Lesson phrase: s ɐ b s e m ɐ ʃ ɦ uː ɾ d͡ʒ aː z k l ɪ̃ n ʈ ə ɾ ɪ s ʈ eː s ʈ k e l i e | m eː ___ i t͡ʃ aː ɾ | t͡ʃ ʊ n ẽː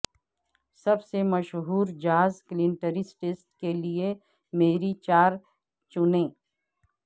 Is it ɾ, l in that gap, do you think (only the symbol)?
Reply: ɾ